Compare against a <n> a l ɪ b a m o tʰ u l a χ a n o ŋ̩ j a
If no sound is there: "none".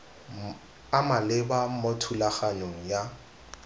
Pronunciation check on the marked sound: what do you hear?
m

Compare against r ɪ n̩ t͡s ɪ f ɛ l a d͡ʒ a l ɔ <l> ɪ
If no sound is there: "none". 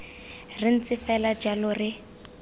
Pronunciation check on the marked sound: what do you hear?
r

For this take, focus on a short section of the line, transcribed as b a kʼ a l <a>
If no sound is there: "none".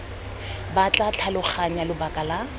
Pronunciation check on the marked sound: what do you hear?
a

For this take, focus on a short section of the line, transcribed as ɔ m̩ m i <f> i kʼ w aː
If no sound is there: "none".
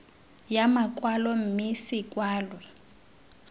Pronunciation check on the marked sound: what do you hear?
s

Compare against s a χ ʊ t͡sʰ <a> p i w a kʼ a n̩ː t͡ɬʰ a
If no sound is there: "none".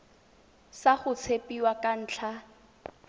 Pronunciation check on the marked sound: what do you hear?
e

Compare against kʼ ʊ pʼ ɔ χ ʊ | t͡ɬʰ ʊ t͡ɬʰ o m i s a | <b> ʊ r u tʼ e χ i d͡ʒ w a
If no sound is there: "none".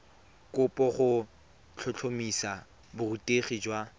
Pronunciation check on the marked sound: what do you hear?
b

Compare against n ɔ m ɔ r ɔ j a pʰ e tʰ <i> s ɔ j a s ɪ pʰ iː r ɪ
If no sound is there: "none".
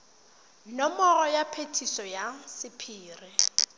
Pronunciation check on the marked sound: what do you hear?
i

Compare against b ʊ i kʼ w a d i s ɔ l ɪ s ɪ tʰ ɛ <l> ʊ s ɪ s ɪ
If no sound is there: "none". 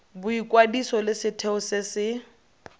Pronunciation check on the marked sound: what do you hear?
none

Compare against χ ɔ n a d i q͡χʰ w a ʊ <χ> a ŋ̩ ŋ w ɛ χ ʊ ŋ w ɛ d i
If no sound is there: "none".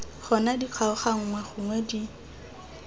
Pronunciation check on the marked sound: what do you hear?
χ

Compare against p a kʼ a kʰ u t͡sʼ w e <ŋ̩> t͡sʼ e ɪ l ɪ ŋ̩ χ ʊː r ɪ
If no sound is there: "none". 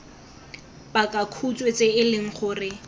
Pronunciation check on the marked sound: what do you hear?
none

